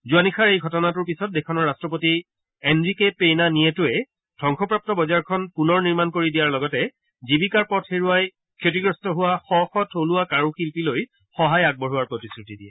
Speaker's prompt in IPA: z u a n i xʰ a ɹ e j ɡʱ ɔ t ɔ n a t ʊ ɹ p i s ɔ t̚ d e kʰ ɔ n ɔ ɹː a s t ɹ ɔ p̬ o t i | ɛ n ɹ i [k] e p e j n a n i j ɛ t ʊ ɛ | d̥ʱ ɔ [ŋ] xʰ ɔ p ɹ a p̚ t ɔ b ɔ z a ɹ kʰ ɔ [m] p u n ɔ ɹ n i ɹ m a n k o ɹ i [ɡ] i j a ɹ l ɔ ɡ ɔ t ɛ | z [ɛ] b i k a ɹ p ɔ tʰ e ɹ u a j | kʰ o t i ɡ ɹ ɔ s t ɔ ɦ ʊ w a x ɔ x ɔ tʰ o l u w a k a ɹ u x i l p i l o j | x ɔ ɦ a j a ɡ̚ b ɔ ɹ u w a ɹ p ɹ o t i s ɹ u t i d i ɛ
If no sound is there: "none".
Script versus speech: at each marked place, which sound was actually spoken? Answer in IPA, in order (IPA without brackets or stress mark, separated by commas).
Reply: k, ŋ, n, d, i